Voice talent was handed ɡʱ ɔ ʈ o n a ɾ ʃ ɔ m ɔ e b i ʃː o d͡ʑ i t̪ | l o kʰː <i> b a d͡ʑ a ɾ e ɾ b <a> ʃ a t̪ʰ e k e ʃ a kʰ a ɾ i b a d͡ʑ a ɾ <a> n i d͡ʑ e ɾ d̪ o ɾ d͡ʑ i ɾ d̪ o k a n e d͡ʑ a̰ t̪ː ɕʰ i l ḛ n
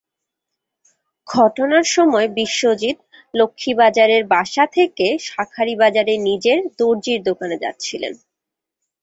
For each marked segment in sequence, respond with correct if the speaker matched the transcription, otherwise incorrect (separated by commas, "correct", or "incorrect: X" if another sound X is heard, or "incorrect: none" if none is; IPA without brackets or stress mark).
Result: correct, correct, incorrect: e